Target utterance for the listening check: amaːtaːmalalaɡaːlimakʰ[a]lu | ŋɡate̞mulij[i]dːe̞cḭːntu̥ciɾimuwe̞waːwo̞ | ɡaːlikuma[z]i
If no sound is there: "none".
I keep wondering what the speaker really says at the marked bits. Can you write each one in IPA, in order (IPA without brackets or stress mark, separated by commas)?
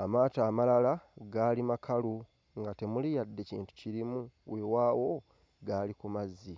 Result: a, a, zː